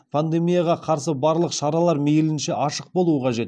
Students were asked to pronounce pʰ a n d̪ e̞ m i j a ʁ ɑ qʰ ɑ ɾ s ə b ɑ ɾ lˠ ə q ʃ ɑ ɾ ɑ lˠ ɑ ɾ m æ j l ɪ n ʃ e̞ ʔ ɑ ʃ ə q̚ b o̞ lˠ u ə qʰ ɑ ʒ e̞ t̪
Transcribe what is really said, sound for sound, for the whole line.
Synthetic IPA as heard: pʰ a n d̪ e̞ m i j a ʁ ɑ qʰ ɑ ɾ s ə b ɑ ɾ lˠ ə q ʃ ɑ ɾ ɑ lˠ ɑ ɾ m e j l ɪ n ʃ e̞ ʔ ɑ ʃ ə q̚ b o̞ lˠ u ə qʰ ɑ ʒ e̞ t̪